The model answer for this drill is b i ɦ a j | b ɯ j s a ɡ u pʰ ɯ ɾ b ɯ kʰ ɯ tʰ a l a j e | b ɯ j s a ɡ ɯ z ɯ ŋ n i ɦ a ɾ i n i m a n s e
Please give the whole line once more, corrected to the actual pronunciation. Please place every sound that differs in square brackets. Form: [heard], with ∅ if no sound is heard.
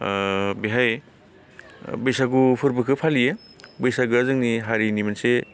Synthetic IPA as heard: b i ɦ a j | b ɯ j s a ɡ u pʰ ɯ ɾ b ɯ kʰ ɯ [pʰ] a l [i] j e | b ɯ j s a ɡ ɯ z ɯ ŋ n i ɦ a ɾ i n i m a n s e